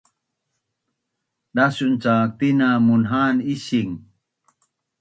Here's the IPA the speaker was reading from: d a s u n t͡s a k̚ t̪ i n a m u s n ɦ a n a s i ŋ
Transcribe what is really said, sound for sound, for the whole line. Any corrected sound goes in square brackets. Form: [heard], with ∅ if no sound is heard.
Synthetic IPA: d a s u n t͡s a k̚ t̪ i n a m u [∅] n ɦ a n [i] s i ŋ